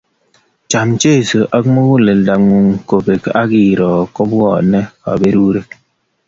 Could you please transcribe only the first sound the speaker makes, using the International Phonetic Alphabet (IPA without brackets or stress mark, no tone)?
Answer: t͡ʃ